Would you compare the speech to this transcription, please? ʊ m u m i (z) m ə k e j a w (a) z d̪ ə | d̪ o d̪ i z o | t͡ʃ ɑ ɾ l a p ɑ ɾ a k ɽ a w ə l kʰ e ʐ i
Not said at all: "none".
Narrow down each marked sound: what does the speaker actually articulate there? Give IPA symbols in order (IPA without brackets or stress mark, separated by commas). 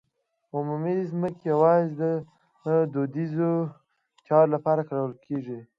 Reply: z, ɑ